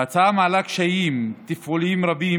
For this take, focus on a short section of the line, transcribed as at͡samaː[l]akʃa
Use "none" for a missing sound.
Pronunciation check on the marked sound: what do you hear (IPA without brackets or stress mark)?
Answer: l